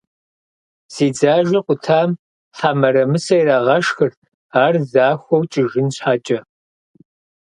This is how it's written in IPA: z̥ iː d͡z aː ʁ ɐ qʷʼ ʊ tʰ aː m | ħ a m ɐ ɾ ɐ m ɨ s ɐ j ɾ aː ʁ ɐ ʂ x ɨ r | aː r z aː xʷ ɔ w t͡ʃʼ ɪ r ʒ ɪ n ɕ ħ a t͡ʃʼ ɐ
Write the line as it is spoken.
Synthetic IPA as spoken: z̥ iː d͡z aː ʒ ɐ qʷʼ ʊ tʰ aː m | ħ a m ɐ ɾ ɐ m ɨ s ɐ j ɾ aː ʁ ɐ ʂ x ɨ r | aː r z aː xʷ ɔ w t͡ʃʼ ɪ ʒ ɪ n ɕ ħ a t͡ʃʼ ɐ